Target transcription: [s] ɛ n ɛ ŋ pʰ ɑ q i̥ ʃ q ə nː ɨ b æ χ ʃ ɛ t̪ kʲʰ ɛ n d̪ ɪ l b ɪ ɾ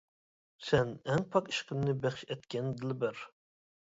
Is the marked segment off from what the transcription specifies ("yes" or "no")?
no